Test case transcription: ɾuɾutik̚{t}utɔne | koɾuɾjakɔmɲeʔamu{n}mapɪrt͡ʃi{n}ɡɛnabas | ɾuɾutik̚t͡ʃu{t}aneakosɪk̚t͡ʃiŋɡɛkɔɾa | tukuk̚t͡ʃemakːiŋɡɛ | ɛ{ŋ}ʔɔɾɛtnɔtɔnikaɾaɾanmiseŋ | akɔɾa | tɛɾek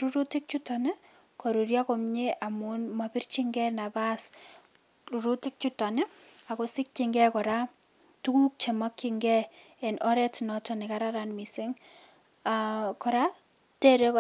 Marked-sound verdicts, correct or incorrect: incorrect, correct, incorrect, correct, incorrect

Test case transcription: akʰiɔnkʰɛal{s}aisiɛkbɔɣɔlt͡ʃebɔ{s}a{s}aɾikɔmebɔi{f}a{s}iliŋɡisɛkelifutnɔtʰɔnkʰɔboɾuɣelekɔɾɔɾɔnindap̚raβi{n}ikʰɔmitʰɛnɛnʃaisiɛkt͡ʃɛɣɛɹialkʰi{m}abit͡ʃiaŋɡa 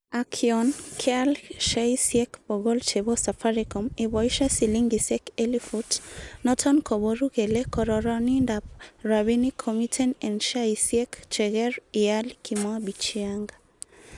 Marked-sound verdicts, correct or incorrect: incorrect, correct, incorrect, incorrect, correct, correct, correct

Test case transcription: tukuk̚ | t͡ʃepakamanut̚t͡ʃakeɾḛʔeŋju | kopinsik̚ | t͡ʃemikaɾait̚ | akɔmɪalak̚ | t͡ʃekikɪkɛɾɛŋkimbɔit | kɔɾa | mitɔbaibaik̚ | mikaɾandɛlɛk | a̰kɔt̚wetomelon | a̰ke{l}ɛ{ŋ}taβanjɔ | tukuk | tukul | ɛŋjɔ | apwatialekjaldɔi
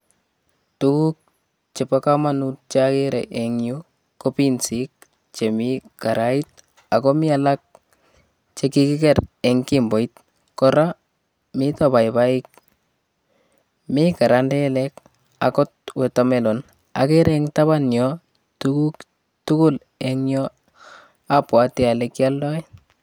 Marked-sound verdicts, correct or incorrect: incorrect, correct

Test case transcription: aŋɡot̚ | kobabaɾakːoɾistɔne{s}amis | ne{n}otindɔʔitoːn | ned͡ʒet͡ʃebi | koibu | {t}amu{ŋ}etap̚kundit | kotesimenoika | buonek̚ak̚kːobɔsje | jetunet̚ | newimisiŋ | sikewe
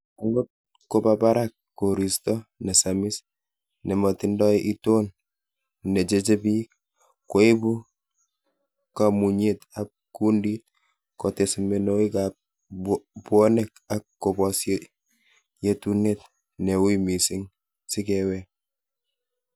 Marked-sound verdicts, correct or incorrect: correct, incorrect, incorrect, incorrect

